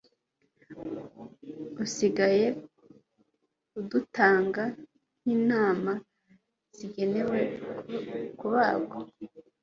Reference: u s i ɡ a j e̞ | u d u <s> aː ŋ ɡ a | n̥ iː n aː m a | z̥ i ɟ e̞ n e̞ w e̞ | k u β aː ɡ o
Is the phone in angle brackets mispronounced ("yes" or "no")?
yes